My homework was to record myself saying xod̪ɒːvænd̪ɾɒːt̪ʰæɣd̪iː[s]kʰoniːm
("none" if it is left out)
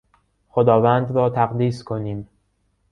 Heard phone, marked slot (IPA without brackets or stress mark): s